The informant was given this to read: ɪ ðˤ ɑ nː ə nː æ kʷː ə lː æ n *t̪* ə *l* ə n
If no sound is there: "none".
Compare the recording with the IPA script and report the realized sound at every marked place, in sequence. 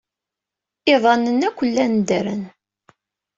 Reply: d̪, ɾ

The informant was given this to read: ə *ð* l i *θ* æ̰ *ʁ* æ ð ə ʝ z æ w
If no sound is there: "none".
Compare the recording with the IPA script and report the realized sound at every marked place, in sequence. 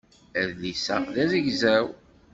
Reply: ð, s, ð

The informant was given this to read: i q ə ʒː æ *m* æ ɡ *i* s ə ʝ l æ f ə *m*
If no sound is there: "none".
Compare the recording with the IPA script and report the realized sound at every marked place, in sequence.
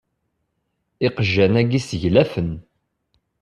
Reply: n, i, n

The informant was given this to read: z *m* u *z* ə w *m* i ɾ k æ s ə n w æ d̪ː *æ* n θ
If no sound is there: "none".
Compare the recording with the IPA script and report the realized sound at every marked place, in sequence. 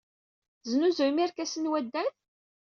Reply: n, z, m, æ

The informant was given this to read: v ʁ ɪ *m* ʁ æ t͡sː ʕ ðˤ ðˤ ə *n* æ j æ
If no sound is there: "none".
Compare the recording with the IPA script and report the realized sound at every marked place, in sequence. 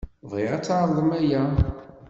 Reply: none, m

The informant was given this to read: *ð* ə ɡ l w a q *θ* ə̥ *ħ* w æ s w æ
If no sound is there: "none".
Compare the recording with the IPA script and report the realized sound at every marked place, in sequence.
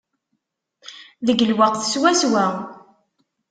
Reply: ð, θ, s

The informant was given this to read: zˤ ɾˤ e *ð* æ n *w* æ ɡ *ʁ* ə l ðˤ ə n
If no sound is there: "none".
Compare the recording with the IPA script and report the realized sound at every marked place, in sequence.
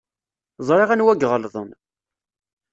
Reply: ʁ, w, ʁ

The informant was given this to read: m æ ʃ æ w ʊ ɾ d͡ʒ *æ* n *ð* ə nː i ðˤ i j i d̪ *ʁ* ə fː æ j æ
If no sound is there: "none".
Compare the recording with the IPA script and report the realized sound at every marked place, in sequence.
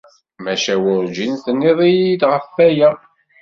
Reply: i, θ, ʁ

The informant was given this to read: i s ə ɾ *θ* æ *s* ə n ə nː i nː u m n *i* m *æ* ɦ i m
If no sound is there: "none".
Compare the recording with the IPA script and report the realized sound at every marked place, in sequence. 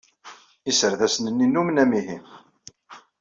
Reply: ð, s, æ, i

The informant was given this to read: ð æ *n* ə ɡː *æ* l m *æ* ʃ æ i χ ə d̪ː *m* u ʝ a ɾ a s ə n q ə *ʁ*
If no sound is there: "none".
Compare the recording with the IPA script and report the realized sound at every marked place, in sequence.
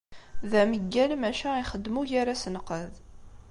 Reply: m, æ, æ, m, ð

